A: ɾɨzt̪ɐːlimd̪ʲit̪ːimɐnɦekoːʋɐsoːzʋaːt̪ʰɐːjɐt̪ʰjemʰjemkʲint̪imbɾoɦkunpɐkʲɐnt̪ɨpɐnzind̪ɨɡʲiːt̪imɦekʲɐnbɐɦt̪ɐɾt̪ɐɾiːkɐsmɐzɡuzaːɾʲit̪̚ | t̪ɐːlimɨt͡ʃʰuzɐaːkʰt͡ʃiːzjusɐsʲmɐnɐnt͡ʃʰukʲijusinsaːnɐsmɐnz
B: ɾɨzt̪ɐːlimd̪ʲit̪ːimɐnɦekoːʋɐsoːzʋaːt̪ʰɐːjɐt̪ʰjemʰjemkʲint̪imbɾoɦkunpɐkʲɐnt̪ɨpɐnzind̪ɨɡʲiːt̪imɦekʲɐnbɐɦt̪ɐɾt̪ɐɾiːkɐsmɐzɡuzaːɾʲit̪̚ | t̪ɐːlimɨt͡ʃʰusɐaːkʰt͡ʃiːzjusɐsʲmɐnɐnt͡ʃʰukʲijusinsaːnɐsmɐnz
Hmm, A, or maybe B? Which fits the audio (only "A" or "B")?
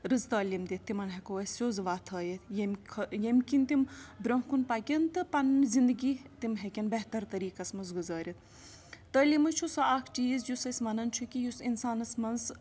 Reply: B